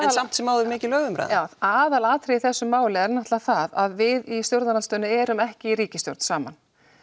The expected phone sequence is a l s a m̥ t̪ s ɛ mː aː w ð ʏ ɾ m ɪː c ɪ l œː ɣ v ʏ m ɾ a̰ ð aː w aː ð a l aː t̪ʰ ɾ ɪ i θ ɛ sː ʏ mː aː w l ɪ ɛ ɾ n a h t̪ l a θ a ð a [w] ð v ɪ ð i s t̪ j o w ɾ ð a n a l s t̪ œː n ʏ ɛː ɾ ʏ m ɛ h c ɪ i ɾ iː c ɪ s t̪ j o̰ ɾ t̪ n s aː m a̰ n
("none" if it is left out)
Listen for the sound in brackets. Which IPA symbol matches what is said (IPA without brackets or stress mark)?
none